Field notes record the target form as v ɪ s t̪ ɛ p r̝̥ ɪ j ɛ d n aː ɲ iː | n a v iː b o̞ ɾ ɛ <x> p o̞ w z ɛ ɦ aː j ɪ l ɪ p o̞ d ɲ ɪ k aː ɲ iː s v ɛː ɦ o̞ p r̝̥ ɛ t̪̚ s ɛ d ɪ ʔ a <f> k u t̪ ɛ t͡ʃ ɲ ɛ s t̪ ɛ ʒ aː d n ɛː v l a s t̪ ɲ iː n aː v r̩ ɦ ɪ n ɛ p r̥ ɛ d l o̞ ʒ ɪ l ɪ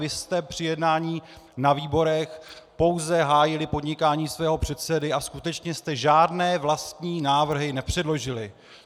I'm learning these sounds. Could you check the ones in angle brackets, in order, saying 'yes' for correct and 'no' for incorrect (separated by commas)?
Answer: yes, no